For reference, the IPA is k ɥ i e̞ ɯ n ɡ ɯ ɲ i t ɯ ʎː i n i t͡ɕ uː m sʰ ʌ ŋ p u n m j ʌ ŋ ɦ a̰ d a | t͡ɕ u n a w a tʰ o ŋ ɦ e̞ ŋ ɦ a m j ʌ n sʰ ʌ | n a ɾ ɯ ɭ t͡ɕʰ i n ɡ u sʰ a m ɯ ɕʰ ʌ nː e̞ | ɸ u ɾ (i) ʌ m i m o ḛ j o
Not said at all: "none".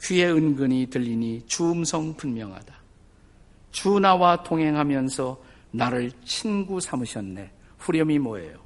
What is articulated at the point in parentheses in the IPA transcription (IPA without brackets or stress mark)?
j